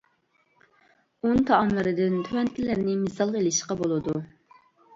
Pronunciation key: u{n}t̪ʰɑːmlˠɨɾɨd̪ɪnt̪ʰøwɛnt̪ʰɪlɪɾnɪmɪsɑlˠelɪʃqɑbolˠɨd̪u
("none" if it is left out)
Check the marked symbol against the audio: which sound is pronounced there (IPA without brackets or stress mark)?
n